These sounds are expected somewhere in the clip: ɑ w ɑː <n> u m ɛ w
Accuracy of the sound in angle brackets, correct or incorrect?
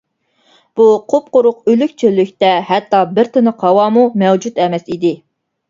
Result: incorrect